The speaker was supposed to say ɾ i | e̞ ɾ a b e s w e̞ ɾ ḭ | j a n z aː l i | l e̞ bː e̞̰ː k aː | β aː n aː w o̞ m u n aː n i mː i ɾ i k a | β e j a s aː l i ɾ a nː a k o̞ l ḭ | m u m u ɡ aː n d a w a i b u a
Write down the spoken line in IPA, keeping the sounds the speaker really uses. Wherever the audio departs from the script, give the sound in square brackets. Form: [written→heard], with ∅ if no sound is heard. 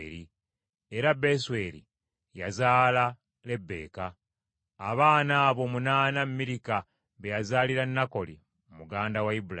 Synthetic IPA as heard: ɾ i | e̞ ɾ a b e s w e̞ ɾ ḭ | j a [n→∅] z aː l [i→a] | l e̞ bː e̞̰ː k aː | β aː n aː [w→β] o̞ m u n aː n [i→a] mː i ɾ i k a | β e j a [s→z] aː l i ɾ a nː a k o̞ l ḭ | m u m u ɡ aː n d a w a i b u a

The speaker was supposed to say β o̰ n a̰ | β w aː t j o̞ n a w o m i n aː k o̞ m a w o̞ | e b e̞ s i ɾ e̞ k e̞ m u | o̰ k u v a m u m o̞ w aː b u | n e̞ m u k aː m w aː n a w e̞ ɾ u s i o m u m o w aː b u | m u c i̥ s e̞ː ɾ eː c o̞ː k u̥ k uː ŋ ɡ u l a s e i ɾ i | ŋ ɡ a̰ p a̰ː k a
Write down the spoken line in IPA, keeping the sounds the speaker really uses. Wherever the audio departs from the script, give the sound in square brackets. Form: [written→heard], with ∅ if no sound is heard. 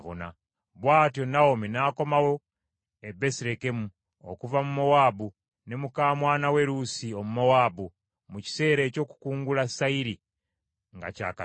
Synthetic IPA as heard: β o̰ n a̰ | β w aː t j o̞ n a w o m i n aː k o̞ m a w o̞ | e b e̞ s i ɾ e̞ k e̞ m u | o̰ k u v a m u m o̞ w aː b u | n e̞ m u k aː m w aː n a w e̞ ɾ u s i o m u m o w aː b u | m u c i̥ s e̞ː ɾ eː c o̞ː k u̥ k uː ŋ ɡ u l a s [e→a] i ɾ i | ŋ ɡ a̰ [p→c] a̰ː k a

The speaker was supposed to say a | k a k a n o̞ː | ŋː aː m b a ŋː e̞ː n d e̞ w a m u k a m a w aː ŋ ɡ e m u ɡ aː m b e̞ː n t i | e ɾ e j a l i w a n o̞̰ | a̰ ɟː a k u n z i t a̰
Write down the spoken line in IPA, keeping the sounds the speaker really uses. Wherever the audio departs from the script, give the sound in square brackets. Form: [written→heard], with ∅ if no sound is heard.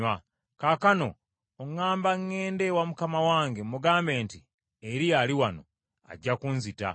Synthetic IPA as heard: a | k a k a n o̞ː | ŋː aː m b a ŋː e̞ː n d e̞ w a m u k a m a w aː ŋ ɡ e m u ɡ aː m b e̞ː n t i | e ɾ [e→i] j a l i w a n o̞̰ | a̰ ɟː a k u n z i t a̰

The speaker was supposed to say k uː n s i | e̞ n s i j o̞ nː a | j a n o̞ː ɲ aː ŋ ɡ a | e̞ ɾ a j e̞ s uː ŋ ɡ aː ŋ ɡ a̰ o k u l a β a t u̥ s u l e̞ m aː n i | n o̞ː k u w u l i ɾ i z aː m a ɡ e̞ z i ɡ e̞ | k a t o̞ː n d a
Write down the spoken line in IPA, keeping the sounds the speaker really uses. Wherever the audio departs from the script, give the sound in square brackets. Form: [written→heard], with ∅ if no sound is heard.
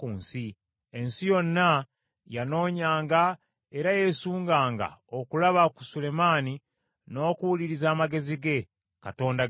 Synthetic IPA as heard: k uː n s i | e̞ n s i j o̞ nː a | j a n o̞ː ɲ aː ŋ ɡ a | e̞ ɾ a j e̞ s uː ŋ ɡ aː ŋ ɡ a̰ o k u l a β a [t→k] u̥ s u l e̞ m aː n i | n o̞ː k u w u l i ɾ i z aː m a ɡ e̞ z i ɡ e̞ | k a t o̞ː n d a

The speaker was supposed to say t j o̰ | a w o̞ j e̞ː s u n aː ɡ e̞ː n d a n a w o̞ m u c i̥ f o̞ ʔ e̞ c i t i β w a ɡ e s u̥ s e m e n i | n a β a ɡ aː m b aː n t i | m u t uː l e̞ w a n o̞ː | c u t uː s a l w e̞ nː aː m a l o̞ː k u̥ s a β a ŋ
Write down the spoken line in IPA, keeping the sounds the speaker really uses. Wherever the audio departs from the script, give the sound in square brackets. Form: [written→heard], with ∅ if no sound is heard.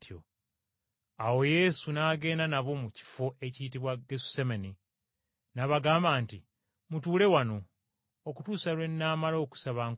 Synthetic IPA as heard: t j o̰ | a w o̞ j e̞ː s u n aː ɡ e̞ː n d a n a [w→β] o̞ m u c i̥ f o̞ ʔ e̞ c i t i β w a ɡ e s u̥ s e m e n i | n a β a ɡ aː m b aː n t i | m u t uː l e̞ w a n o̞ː | [c→k] u t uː s a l w e̞ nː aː m a l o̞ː k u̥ s a β a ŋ

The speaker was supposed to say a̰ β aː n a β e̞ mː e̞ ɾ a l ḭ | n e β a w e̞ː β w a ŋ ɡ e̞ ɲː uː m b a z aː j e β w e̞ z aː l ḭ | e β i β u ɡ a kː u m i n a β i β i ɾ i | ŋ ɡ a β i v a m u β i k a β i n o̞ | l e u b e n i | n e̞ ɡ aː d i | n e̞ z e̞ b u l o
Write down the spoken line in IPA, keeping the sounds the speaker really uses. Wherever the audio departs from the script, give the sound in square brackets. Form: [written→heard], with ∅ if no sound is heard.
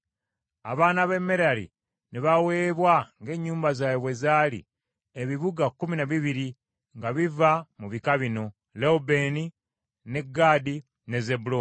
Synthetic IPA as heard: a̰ β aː n a β e̞ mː e̞ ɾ a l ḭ | n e β a w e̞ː β w a ŋ ɡ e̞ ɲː uː m b a z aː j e β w e̞ z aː l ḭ | e β i β u ɡ a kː u m i n a β i β i ɾ i | ŋ ɡ a β i v a m u β i k a β i n o̞ | l e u b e n i | n e̞ ɡ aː d i | n e̞ z e̞ b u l o

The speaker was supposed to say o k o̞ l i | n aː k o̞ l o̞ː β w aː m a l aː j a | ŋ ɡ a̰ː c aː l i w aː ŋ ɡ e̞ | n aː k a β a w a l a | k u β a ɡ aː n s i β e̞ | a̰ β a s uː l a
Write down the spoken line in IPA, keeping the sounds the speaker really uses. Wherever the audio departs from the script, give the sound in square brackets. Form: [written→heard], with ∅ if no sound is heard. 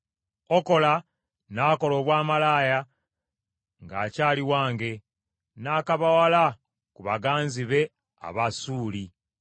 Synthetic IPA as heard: o k o̞ l [i→a] | n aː k o̞ l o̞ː β w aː m a l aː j a | ŋ ɡ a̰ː c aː l i w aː ŋ ɡ e̞ | n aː k a β a w a l a | k u β a ɡ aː n [s→z] i β e̞ | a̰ β a s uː l [a→i]

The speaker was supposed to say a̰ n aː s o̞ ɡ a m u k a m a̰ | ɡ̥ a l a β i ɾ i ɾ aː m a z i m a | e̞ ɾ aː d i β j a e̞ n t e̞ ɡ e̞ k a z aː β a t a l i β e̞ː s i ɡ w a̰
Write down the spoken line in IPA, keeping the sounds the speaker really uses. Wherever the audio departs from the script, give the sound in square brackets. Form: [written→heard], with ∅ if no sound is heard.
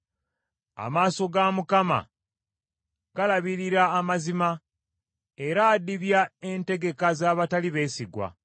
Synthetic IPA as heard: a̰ [n→m] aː s o̞ ɡ a m u k a m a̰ | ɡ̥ a l a β i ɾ i ɾ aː m a z i m a | e̞ ɾ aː d i β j a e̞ n t e̞ ɡ e̞ k a z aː β a t a l i β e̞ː s i ɡ w a̰

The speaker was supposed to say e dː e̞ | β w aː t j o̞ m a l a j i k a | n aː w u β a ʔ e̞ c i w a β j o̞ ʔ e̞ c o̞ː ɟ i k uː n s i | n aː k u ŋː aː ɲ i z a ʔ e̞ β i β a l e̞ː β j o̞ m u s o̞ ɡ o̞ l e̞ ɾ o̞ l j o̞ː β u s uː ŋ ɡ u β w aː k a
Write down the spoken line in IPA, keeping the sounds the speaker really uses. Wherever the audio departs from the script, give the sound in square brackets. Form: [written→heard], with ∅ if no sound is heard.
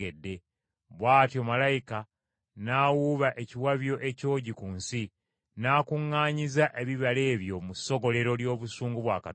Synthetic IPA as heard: e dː e̞ | β w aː t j o̞ m a l a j i k a | n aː w u β a ʔ e̞ c i w a β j o̞ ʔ e̞ c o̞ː ɟ i k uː n s i | n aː k u ŋː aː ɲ i z a ʔ e̞ β i β a l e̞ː β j o̞ m u s o̞ ɡ o̞ l e̞ ɾ o̞ l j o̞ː β u s uː ŋ ɡ u β w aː k a

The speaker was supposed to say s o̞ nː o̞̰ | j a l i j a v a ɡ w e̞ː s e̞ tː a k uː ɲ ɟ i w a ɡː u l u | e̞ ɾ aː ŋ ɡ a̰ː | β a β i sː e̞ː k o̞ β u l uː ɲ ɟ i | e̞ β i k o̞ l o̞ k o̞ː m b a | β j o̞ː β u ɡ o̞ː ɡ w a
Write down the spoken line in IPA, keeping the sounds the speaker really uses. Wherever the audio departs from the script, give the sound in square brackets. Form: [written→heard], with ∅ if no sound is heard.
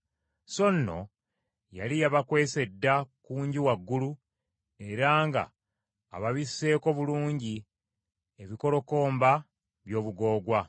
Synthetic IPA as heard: s o̞ nː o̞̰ | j a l i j a [v→β] a [ɡ→k] w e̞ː s e̞ [tː→dː] a k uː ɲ ɟ i w a ɡː u l u | e̞ ɾ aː ŋ ɡ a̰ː | β a β i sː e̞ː k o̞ β u l uː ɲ ɟ i | e̞ β i k o̞ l o̞ k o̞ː m b a | β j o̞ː β u ɡ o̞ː ɡ w a

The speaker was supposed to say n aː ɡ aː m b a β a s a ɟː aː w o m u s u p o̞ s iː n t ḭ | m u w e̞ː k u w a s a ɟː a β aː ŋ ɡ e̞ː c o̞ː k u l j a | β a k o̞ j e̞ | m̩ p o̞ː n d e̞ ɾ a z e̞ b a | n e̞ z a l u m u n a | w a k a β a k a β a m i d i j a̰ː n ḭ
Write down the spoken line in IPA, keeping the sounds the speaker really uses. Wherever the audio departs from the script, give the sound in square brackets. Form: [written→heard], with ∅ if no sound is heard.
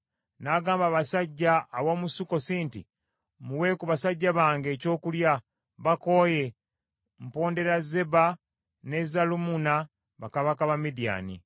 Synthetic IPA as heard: n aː ɡ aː m b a β a s a ɟː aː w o m u s u [p→k] o̞ s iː n t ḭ | m u w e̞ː k u [w→β] a s a ɟː a β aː ŋ ɡ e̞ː c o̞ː k u l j a | β a k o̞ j e̞ | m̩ p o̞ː n d e̞ ɾ a z e̞ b a | n e̞ z a l u m u n a | [w→β] a k a β a k a β a m i d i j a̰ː n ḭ

